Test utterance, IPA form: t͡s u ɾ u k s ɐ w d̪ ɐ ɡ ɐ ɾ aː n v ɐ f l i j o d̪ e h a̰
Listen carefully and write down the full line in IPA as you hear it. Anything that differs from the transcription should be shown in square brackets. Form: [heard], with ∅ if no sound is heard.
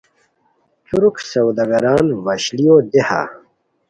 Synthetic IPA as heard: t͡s u ɾ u k s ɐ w d̪ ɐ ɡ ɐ ɾ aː n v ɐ [ɕ] l i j o d̪ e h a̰